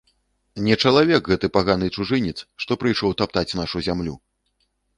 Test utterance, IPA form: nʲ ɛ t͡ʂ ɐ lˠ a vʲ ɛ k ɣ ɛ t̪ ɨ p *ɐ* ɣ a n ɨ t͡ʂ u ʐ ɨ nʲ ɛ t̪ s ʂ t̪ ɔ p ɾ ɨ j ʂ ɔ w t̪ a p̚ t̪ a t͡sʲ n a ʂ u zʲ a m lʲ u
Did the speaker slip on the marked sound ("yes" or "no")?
yes